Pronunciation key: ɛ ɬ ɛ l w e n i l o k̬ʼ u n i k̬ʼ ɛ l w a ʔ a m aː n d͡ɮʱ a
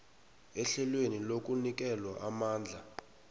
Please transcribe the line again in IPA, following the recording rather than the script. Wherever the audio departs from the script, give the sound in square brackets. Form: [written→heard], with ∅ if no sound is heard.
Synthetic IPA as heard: ɛ ɬ ɛ l w e n i l o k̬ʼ u n i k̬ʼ ɛ l w a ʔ a m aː n d͡ɮʱ a